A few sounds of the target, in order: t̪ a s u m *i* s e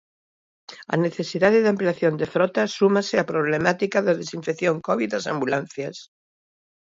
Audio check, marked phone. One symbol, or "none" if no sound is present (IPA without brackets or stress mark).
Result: a